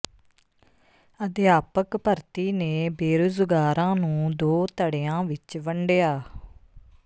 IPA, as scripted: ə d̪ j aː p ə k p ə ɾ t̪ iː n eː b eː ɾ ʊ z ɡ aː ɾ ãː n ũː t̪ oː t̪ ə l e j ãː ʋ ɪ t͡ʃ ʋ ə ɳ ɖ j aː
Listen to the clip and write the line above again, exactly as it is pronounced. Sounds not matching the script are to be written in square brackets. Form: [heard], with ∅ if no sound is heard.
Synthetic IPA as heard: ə d̪ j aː p ə k p ə ɾ t̪ iː n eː b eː ɾ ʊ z ɡ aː ɾ ãː n ũː [d̪] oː t̪ ə [ɽ] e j ãː ʋ ɪ t͡ʃ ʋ ə ɳ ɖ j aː